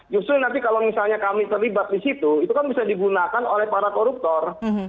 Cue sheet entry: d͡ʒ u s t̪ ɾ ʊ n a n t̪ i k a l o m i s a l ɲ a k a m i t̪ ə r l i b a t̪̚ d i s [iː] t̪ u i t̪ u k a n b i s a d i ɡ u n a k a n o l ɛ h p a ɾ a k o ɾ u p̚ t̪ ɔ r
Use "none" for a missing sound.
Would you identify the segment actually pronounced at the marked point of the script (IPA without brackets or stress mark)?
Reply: i